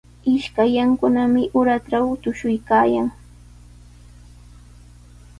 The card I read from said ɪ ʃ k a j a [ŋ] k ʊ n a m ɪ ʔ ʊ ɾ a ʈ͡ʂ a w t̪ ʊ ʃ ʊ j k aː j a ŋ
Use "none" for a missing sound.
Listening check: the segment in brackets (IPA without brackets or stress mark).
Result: ŋ